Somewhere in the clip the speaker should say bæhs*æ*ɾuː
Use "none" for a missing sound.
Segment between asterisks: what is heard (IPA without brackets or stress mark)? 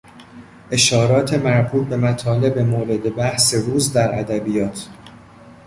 e